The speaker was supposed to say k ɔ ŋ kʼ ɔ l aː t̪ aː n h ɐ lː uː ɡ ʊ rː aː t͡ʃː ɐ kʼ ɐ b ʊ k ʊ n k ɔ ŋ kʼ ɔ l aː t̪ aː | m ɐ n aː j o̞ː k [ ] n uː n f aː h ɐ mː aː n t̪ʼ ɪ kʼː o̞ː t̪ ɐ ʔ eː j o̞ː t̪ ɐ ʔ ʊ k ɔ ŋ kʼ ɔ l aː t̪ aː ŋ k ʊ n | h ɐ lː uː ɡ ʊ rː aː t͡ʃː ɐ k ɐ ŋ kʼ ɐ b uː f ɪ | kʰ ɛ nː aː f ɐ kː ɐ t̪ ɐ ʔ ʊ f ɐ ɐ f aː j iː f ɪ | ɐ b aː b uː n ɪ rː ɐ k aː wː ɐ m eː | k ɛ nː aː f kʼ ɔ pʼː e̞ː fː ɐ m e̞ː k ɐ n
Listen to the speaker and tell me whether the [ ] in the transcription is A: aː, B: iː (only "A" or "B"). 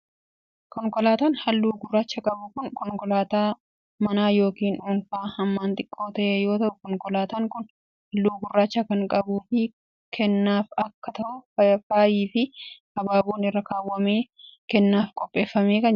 B